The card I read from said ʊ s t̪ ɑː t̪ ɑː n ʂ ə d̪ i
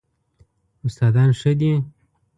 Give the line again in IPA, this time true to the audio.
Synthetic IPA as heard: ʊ s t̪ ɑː d̪ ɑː n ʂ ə d̪ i